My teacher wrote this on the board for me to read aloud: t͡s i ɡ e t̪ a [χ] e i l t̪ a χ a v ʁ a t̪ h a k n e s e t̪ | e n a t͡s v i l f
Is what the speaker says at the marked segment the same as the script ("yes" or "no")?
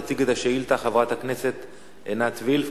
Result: no